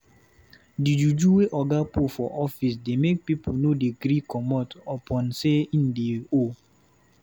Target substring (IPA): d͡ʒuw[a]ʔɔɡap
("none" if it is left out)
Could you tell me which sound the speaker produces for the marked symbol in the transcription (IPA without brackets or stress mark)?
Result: e